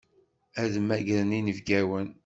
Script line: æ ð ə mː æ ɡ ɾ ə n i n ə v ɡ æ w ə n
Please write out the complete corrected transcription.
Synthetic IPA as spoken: æ ð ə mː æ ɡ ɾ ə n i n ə v ɡ æ w ə n